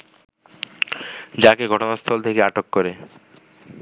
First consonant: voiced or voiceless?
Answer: voiced